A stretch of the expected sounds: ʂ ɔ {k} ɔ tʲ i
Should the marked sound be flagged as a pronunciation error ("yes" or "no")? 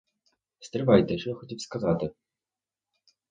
yes